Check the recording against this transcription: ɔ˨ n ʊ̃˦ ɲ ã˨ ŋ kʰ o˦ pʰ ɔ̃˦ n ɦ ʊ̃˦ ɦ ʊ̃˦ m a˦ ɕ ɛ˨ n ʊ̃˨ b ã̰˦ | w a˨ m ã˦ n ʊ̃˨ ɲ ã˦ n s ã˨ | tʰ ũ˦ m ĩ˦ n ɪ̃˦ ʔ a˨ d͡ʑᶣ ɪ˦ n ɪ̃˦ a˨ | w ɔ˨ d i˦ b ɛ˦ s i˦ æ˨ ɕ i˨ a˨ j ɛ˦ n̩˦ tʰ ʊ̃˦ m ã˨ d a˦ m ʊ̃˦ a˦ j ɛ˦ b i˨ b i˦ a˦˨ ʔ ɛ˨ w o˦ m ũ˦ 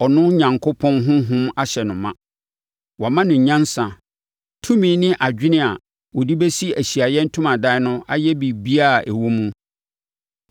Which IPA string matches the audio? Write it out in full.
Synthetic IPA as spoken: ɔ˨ n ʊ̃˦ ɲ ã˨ ŋ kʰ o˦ pʰ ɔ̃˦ n ɦ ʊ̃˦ ɦ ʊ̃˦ m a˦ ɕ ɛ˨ n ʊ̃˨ m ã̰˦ | w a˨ m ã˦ n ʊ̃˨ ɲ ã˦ n s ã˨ | tʰ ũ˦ m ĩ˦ n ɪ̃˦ ʔ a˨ d͡ʑᶣ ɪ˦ n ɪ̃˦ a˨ | w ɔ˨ d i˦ b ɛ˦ s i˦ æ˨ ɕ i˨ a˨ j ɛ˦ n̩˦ tʰ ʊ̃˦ m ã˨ d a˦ n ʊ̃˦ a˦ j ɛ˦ b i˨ b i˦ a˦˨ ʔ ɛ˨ w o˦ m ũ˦

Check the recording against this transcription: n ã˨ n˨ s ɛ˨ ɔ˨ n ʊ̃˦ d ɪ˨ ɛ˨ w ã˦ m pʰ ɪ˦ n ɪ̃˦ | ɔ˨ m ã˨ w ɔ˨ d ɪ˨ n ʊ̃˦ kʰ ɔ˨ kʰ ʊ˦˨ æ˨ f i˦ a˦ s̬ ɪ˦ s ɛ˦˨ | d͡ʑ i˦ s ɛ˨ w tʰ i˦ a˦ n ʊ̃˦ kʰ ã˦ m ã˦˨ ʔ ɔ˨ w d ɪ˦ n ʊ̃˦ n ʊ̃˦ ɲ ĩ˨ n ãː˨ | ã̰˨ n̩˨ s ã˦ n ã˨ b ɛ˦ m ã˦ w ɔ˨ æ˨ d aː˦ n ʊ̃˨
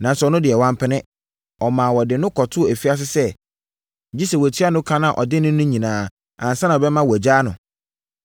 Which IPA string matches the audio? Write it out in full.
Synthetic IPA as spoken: n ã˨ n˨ s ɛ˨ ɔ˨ n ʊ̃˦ d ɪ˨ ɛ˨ w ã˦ m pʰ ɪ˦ n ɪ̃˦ | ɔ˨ m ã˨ w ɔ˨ d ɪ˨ n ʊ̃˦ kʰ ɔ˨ tʰ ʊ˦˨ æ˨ f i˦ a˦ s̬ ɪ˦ s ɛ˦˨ | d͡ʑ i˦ s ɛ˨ w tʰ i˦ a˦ n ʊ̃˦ kʰ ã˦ n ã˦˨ ʔ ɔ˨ d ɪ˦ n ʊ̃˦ n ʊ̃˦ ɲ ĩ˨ n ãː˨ | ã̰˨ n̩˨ s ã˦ n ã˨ b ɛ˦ m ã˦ w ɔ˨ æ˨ d͡ʑ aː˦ n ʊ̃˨

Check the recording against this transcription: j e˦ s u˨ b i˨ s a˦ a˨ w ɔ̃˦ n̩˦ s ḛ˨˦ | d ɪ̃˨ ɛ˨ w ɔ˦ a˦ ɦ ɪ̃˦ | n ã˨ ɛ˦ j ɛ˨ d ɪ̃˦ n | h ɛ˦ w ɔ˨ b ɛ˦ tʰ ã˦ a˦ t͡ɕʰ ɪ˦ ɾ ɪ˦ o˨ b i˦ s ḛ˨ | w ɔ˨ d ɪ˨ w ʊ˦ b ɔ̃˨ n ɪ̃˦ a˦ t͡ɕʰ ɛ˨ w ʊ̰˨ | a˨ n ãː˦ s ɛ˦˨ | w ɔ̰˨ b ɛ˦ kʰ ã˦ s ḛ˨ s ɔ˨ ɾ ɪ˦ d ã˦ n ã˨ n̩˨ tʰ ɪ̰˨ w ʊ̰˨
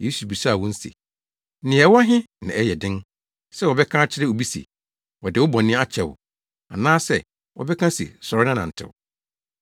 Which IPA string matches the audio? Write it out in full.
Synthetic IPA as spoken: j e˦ s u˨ b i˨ s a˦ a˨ w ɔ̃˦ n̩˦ s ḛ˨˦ | n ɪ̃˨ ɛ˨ w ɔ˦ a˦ ɦ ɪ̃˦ | n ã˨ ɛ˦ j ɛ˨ d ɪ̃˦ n | s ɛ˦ w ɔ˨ b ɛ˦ kʰ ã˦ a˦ t͡ɕʰ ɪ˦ ɾ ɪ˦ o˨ b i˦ s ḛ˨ | w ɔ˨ d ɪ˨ w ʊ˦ b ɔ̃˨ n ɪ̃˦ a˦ t͡ɕʰ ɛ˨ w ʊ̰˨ | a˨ n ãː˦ s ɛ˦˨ | w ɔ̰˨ b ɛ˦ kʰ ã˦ s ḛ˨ s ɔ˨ ɾ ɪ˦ n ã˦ n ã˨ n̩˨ tʰ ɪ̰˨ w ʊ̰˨

